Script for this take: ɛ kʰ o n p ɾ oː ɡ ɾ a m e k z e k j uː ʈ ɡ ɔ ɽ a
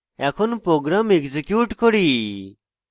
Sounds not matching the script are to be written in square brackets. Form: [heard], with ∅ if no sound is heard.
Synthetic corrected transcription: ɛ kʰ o n p ɾ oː ɡ ɾ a m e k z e k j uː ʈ [k] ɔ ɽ [i]